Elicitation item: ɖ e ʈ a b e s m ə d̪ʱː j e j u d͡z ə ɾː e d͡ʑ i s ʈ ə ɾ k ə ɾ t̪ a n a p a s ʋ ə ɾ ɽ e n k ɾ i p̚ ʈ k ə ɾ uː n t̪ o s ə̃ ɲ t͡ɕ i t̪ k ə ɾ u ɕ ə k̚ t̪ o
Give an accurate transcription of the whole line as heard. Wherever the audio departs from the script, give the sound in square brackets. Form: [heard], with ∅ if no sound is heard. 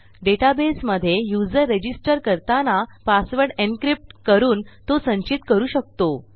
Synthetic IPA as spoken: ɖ e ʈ a b e s m ə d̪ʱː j e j u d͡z ə ɾː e d͡ʑ i s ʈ ə ɾ k ə ɾ t̪ a n a p a s ʋ ə ɾ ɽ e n k ɾ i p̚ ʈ k ə ɾ uː n t̪ o s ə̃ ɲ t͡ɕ i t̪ k ə ɾ [uː] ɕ ə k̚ t̪ o